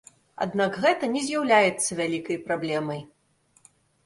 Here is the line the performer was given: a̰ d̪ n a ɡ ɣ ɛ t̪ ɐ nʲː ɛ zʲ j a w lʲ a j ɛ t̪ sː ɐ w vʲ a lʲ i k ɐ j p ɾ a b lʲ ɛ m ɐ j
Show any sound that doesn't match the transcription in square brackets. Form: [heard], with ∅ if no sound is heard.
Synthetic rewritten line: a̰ d̪ n a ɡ ɣ ɛ t̪ ɐ [nʲ] ɛ zʲ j a w lʲ a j ɛ t̪ sː ɐ [∅] vʲ a lʲ i k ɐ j p ɾ a b lʲ ɛ m ɐ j